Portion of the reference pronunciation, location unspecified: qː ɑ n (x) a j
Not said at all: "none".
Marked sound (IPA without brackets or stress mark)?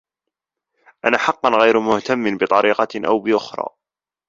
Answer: ɣ